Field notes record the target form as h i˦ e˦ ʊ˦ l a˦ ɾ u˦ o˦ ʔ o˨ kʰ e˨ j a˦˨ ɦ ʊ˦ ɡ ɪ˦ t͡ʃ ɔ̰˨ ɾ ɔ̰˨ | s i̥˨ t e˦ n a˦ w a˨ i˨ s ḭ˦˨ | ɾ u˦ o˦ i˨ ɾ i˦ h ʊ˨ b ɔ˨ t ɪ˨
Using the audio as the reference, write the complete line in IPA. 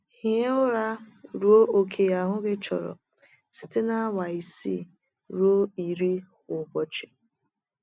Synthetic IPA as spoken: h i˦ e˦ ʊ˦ ɾ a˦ ɾ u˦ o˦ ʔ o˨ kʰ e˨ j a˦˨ ɦ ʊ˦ ɡ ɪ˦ t͡ʃ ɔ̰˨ ɾ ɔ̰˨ | s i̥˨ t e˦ n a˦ w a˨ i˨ s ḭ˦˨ | ɾ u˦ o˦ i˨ ɾ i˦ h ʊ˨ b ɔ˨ t͡ʃ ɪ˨